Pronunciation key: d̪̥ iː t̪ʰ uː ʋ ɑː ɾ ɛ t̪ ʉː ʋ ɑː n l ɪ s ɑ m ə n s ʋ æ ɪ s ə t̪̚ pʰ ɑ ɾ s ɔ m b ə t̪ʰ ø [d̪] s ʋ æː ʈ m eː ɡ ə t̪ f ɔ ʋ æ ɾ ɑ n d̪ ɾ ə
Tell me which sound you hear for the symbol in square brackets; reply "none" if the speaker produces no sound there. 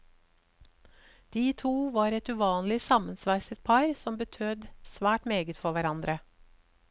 d̪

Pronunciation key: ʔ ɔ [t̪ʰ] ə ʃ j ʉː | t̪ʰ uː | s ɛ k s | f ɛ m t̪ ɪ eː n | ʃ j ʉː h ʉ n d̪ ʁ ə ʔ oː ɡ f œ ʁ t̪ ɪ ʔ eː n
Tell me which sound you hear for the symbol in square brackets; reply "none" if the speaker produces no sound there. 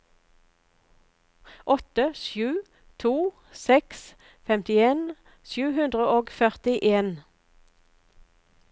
t̪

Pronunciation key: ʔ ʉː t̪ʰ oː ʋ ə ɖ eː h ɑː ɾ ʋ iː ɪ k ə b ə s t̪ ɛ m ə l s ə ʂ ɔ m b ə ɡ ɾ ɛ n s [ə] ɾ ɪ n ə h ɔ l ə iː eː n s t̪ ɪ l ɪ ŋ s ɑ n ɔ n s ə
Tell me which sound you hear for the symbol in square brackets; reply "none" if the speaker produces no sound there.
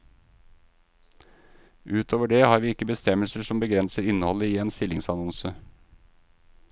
ə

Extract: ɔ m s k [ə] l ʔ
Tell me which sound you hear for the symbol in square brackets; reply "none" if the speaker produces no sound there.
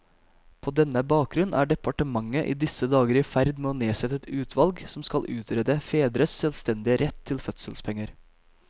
ɑ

